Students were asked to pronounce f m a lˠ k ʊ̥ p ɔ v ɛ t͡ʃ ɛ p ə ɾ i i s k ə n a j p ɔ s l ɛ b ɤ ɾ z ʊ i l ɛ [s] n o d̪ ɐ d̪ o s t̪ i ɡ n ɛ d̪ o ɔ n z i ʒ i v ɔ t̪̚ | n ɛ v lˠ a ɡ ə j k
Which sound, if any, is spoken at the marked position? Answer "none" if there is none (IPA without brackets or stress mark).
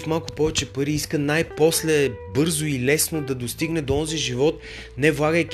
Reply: s